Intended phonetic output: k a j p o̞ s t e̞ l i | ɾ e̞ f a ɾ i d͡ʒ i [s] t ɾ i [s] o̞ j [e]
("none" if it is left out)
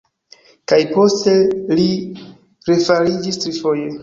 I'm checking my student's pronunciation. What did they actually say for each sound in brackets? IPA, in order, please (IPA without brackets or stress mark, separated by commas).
s, f, e